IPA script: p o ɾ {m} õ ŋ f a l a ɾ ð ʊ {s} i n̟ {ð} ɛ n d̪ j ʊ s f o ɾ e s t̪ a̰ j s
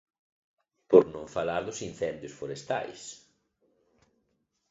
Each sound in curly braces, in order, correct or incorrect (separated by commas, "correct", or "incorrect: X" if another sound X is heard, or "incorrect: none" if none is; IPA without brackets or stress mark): incorrect: n, correct, incorrect: θ